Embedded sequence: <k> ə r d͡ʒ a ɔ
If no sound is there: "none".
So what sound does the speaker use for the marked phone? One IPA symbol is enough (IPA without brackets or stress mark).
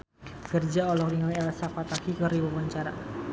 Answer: k